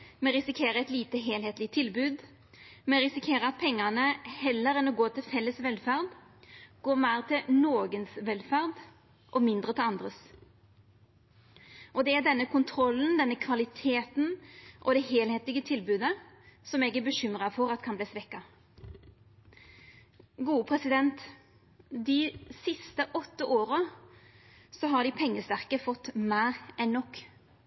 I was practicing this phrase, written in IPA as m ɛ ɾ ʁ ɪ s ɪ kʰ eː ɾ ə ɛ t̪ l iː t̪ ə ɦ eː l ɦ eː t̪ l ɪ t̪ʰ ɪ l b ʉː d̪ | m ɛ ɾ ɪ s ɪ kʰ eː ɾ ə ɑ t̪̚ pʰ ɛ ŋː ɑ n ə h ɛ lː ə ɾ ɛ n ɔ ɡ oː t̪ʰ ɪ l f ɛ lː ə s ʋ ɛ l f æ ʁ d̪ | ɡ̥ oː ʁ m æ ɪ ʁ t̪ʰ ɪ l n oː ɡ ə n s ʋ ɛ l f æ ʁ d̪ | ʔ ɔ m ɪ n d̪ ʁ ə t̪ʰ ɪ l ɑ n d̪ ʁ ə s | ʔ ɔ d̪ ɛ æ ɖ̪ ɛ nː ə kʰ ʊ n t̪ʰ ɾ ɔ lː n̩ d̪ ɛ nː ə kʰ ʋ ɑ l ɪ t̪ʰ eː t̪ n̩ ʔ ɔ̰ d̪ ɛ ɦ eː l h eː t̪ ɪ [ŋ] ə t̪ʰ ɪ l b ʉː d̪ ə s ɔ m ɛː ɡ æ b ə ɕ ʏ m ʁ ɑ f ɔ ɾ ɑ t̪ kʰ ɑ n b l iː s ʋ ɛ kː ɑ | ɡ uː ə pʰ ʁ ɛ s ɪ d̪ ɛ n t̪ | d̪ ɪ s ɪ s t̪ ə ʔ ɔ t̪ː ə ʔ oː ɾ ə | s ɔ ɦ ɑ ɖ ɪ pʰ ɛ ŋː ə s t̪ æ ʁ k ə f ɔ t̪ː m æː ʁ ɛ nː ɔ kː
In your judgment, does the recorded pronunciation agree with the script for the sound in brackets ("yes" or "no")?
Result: no